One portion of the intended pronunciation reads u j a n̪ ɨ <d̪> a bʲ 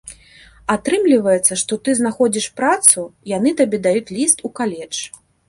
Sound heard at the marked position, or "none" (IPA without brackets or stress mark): t̪